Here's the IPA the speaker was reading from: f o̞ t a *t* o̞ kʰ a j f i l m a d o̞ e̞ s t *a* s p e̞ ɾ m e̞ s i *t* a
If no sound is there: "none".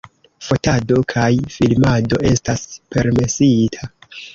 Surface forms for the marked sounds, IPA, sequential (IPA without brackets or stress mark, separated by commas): d, a, tʰ